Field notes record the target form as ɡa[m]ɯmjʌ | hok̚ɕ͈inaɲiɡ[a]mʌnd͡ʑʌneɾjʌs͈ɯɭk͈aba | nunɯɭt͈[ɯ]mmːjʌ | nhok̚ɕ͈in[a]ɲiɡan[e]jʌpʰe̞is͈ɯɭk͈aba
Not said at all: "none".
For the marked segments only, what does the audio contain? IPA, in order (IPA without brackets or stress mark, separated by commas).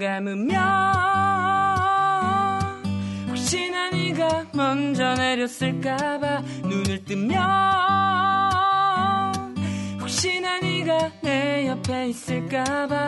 m, a, ɯ, a, e